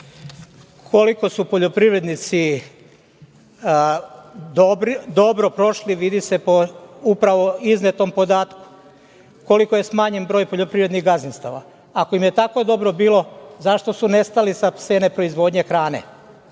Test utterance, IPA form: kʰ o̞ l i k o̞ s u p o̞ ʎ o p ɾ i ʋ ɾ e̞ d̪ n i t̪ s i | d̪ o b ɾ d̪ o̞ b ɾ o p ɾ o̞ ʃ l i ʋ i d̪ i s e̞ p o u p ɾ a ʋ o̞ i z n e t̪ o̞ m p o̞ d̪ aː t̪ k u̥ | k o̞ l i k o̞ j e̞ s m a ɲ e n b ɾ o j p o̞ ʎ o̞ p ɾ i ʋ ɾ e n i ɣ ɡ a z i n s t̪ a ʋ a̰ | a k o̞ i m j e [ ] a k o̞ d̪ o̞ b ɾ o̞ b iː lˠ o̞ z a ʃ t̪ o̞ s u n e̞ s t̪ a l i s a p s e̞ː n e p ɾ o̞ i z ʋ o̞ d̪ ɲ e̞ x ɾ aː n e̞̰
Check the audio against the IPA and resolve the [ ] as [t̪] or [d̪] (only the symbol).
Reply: t̪